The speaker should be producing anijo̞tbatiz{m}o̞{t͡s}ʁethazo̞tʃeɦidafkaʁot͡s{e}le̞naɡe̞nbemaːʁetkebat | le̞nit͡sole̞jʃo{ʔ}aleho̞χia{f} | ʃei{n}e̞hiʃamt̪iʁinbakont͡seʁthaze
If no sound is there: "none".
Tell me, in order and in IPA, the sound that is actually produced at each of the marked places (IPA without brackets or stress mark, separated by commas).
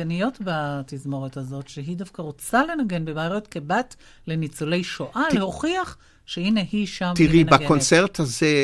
m, none, a, ʔ, χ, n